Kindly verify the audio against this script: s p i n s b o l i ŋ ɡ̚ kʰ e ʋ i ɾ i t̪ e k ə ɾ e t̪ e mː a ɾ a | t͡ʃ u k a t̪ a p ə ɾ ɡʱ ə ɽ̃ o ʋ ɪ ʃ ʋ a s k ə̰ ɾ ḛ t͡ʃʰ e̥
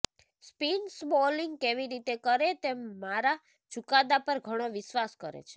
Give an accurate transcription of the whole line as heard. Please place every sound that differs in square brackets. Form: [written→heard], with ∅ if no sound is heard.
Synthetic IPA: s p i n s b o l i ŋ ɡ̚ [kʰ→k] e ʋ i ɾ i t̪ e k ə ɾ e t̪ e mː a ɾ a | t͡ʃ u k a [t̪→d̪] a p ə ɾ ɡʱ ə ɽ̃ o ʋ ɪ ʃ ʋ a s k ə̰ ɾ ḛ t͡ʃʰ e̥